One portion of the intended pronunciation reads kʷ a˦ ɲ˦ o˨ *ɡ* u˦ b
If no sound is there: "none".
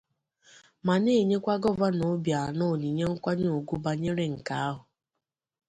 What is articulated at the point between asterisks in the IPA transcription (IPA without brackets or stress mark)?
ɡ